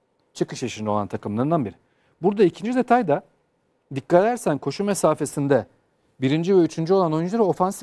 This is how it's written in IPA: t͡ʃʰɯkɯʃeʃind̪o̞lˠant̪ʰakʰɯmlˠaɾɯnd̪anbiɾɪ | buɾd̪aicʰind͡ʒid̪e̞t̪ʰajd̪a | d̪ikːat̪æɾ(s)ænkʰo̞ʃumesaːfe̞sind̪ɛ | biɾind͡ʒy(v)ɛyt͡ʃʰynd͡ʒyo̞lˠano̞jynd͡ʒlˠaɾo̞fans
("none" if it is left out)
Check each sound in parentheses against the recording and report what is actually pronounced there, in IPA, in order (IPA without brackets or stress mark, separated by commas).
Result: s, v